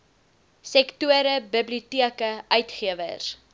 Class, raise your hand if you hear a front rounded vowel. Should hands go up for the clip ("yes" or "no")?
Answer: yes